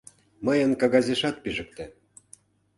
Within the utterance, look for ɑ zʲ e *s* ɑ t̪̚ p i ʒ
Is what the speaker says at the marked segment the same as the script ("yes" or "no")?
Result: no